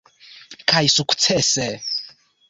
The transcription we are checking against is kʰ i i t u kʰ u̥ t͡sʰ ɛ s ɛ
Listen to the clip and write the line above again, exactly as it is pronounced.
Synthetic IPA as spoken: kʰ a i s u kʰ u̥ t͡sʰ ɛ s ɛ